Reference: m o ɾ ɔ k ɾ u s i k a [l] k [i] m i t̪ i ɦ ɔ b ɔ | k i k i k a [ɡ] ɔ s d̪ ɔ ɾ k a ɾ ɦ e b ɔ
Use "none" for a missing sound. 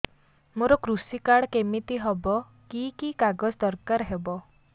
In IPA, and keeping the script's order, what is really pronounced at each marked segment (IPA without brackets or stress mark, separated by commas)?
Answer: ɽ, e, ɡ